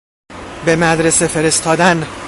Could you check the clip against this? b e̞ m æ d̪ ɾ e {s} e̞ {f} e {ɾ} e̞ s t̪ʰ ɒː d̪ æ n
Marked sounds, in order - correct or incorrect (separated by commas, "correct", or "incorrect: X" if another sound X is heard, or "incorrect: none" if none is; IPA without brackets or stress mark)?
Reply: correct, correct, correct